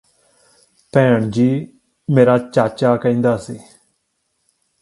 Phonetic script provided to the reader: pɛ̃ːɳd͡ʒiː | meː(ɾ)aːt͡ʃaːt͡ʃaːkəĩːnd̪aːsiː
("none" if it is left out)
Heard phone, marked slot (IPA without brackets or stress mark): ɾ